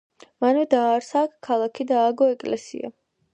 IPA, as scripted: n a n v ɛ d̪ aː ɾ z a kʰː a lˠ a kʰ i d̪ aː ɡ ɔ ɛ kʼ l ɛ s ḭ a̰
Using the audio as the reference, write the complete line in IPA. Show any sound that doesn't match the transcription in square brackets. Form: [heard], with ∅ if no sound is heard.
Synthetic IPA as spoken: [m] a n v ɛ d̪ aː ɾ [s] a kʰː a lˠ a kʰ i d̪ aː ɡ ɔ ɛ kʼ l ɛ s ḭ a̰